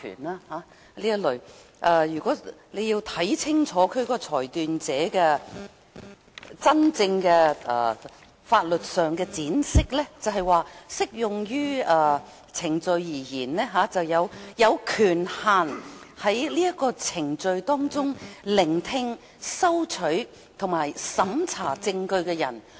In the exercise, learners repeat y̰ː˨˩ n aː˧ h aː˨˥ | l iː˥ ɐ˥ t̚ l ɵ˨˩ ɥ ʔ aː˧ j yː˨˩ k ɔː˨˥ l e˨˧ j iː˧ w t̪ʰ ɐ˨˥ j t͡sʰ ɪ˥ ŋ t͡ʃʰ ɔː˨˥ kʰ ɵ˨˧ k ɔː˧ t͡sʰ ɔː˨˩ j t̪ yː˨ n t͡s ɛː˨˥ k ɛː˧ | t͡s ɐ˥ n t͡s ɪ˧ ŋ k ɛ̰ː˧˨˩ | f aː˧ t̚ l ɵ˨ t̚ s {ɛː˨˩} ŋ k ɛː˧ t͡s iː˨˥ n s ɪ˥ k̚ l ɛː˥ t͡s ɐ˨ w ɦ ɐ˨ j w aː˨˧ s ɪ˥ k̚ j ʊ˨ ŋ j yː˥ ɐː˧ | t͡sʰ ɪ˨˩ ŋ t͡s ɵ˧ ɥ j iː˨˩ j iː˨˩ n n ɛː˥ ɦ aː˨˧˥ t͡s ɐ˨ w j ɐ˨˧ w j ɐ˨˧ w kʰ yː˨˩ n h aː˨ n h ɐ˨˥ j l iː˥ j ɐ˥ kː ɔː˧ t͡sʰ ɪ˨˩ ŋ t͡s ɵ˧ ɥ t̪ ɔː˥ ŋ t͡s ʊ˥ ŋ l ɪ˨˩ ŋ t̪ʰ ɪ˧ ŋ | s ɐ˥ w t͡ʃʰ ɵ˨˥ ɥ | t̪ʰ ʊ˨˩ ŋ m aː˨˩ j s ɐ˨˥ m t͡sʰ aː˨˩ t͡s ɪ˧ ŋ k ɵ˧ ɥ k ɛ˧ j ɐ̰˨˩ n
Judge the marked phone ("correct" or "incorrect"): incorrect